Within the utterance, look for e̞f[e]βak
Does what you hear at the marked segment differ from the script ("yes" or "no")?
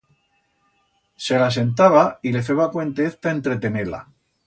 no